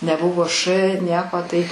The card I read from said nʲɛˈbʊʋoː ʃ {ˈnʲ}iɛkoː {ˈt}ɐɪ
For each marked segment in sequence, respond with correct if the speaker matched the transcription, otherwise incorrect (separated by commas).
correct, correct